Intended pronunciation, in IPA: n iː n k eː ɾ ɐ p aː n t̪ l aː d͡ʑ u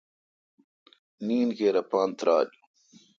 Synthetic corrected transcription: n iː n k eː ɾ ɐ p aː n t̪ ɾ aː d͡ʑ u